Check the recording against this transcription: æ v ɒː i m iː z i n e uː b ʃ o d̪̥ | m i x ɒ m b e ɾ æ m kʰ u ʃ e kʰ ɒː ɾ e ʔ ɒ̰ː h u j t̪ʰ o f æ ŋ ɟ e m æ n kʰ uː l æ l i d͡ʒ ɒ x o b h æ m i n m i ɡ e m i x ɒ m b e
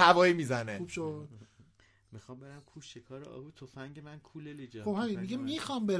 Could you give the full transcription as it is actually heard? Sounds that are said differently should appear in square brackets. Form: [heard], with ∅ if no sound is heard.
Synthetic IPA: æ v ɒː i m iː z [æ] n e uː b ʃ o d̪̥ | m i x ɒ m b e ɾ æ m kʰ u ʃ e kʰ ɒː ɾ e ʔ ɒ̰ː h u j t̪ʰ o f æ ŋ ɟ e m æ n kʰ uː l [e] l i d͡ʒ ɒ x o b h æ m i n m i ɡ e m i x ɒ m b e